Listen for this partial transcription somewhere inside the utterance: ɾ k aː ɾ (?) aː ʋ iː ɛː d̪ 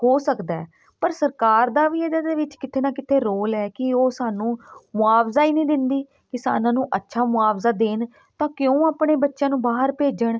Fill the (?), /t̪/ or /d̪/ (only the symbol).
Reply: d̪